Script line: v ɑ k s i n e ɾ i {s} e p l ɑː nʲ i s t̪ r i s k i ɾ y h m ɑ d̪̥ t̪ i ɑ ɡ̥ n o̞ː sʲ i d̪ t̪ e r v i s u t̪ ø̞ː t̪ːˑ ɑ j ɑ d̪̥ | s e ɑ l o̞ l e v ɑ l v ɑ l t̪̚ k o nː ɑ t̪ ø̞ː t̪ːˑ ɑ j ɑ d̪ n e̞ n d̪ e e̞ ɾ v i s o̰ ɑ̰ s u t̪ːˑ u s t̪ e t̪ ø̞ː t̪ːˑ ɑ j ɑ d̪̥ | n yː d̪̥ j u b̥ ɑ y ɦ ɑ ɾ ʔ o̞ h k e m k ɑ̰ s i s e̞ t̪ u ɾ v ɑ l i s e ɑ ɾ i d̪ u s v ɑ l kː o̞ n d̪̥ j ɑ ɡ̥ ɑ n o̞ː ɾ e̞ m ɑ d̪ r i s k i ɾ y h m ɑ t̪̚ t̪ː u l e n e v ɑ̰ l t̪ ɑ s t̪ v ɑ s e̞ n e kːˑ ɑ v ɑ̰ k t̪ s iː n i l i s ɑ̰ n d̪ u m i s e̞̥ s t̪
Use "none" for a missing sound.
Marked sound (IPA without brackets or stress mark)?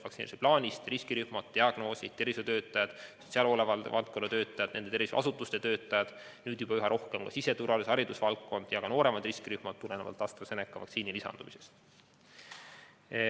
s